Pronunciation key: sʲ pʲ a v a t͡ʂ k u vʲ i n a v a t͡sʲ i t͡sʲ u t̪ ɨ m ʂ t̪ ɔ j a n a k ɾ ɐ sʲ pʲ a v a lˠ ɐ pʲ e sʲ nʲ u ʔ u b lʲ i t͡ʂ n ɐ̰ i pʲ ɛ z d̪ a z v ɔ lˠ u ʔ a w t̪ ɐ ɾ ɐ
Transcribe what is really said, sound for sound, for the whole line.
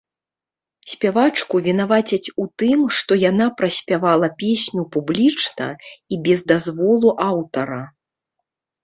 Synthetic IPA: sʲ pʲ a v a t͡ʂ k u vʲ i n a v a t͡sʲ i t͡sʲ u t̪ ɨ m ʂ t̪ ɔ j a n a p ɾ ɐ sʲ pʲ a v a lˠ ɐ pʲ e sʲ nʲ u p u b lʲ i t͡ʂ n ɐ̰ i bʲ ɛ z d̪ a z v ɔ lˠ u ʔ a w t̪ ɐ ɾ ɐ